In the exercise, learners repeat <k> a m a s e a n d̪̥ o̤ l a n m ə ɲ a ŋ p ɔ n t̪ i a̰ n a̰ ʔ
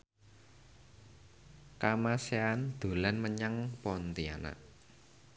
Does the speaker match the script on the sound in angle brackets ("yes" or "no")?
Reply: yes